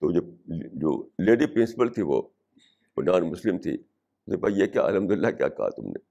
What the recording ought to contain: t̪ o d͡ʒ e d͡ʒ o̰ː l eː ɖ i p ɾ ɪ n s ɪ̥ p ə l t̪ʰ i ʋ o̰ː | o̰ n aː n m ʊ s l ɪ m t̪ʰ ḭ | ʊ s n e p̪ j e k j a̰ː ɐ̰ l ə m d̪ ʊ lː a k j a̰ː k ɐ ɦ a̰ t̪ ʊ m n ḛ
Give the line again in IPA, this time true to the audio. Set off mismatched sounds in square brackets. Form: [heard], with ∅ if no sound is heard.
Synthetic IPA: t̪ o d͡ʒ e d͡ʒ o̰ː l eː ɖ i p ɾ ɪ n s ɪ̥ p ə l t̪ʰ i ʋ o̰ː | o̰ n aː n m ʊ s l ɪ m t̪ʰ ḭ | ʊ s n e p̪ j e k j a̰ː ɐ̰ l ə m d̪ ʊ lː a k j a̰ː k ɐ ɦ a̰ t̪ ʊ m n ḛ